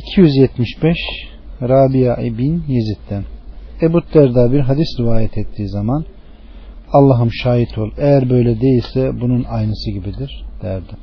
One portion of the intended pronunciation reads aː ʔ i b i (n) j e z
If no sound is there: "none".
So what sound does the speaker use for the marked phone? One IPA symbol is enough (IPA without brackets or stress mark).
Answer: n